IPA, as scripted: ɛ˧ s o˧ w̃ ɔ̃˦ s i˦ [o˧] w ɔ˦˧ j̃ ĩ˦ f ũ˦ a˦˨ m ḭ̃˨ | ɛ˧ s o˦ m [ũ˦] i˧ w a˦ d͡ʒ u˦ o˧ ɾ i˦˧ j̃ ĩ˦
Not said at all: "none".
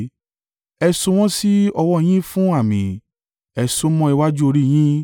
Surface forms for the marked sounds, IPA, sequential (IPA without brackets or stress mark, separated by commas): ɔ˧, ɔ̃˦